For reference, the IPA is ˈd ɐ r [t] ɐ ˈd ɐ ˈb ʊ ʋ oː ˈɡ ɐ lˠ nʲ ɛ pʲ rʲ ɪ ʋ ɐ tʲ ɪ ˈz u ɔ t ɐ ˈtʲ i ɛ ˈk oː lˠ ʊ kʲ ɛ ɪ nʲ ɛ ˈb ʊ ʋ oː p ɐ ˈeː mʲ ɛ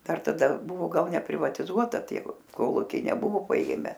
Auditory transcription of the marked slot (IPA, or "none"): t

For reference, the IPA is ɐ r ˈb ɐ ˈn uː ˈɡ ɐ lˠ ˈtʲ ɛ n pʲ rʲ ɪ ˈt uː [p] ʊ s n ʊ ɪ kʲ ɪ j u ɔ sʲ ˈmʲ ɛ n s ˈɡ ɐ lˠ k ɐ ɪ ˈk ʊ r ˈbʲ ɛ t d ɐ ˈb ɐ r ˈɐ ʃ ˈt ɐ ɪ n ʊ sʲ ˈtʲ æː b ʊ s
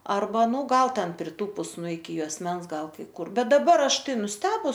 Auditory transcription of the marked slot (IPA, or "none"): p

